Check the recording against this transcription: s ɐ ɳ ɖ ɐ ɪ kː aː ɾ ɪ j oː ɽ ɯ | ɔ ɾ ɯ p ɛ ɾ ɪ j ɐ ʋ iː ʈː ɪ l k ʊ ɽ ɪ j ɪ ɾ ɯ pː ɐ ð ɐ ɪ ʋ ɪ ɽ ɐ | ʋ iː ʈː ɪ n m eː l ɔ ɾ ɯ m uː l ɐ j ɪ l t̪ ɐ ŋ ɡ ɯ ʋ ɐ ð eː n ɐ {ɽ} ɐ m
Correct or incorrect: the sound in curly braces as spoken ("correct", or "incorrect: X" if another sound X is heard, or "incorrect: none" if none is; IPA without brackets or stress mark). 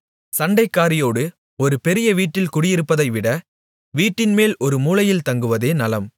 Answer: incorrect: l